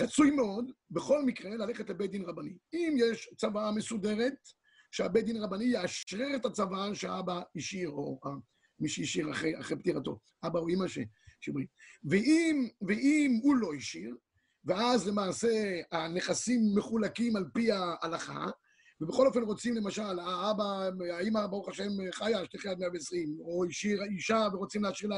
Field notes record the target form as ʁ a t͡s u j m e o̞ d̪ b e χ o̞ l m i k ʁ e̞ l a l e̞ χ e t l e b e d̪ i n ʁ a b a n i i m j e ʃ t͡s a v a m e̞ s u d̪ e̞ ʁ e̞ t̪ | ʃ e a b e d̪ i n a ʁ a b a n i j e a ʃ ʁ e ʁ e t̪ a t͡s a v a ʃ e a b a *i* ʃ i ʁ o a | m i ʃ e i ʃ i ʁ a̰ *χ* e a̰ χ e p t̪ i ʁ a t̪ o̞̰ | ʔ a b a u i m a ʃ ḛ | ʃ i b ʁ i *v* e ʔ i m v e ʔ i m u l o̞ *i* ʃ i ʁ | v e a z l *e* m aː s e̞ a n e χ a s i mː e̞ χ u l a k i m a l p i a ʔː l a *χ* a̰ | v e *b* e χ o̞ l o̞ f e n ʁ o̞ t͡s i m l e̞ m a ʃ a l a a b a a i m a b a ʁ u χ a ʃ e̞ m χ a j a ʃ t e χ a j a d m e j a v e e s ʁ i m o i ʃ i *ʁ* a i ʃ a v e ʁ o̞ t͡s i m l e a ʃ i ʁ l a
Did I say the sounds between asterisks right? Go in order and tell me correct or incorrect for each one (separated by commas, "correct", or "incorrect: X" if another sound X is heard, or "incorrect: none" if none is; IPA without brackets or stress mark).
correct, correct, correct, correct, correct, correct, correct, correct